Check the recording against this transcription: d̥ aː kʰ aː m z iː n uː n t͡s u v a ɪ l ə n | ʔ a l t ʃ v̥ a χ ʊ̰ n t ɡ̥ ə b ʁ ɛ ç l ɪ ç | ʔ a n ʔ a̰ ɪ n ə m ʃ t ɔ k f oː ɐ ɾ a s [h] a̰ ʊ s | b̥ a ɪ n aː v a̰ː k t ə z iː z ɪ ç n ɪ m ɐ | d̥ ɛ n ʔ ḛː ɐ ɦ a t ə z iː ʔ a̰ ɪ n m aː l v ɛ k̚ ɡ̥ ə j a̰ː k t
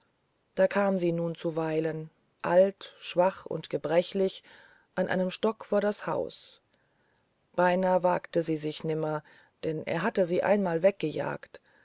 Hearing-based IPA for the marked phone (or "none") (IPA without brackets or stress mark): h